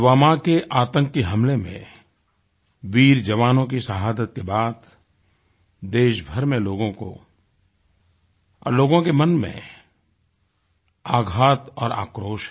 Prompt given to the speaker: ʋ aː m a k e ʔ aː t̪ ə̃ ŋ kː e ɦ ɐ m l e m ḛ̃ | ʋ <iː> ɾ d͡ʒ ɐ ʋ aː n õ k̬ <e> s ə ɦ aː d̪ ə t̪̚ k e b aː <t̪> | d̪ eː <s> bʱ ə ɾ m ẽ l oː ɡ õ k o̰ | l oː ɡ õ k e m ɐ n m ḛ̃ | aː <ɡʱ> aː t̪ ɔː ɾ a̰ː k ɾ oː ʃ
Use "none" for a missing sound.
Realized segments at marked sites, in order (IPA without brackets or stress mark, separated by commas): iː, i, d̪, ʃ, ɡʱ